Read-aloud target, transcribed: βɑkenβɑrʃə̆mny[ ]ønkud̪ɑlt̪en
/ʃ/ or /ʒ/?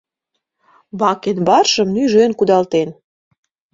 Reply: ʒ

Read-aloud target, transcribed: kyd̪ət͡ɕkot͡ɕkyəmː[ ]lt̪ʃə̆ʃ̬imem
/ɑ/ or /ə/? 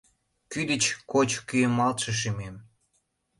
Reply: ɑ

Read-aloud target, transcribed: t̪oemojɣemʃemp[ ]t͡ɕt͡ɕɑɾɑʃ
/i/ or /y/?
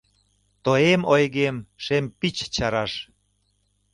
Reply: i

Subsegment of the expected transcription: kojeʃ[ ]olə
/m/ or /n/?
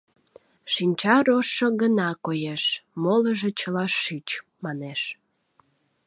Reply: m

